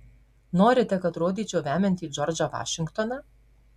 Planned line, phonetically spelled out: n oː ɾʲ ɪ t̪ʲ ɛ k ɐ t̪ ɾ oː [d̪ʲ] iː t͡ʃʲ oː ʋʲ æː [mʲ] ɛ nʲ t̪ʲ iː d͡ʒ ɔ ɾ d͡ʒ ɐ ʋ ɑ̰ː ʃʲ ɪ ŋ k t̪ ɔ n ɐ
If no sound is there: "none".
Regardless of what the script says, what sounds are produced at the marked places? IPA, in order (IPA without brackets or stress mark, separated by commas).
d̪ʲ, mʲ